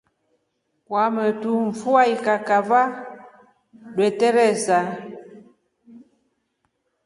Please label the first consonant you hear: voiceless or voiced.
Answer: voiceless